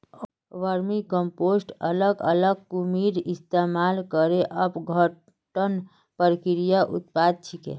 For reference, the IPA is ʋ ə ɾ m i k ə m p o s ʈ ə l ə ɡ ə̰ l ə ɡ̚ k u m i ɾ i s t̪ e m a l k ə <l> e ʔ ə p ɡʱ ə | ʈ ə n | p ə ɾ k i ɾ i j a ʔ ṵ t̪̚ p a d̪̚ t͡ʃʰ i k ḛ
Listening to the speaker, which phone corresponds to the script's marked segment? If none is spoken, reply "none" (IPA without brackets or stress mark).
ɾ